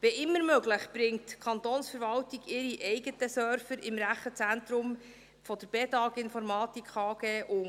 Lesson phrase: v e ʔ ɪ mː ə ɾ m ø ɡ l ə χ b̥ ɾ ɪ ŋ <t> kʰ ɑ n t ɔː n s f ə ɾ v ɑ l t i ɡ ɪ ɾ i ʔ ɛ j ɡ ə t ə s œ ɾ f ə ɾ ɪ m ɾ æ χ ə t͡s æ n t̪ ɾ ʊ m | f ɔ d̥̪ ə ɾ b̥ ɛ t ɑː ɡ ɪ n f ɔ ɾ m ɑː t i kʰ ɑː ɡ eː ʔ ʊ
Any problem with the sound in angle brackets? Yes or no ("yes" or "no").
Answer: no